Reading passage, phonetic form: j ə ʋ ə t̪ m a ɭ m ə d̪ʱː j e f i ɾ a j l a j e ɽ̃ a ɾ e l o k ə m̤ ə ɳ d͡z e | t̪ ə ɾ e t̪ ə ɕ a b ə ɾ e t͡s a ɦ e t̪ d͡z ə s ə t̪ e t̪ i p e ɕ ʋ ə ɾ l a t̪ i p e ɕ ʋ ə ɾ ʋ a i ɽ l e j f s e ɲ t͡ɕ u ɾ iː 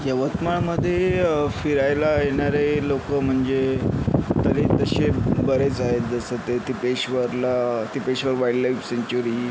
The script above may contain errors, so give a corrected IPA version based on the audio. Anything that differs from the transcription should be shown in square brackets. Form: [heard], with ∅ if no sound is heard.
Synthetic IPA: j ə ʋ ə t̪ m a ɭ m ə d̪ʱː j e f i ɾ a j l a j e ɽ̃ a ɾ e l o k ə m̤ ə ɳ d͡z e | t̪ ə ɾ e t̪ ə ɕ [e] b ə ɾ e t͡s a ɦ e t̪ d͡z ə s ə t̪ e t̪ i p e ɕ ʋ ə ɾ l a t̪ i p e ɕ ʋ ə ɾ ʋ a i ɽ l [a] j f s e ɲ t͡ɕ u ɾ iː